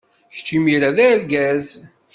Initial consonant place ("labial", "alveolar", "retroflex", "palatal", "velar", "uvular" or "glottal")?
palatal